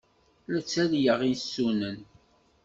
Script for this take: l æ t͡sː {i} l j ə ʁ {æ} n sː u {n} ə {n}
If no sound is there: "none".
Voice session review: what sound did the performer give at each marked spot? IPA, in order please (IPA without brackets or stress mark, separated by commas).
æ, i, n, n